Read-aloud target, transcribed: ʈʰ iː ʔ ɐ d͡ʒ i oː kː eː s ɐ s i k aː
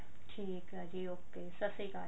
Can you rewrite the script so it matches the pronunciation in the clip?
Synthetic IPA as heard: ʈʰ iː k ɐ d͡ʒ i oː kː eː s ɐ s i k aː